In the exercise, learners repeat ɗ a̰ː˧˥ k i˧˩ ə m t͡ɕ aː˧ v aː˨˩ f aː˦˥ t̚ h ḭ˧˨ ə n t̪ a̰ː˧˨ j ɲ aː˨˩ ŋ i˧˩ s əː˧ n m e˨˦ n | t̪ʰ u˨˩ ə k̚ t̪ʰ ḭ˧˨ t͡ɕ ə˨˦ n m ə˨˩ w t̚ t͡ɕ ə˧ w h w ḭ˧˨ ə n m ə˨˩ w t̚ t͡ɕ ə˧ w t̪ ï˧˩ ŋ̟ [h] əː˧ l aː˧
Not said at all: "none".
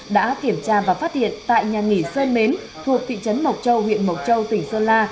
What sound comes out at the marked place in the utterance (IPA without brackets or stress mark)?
s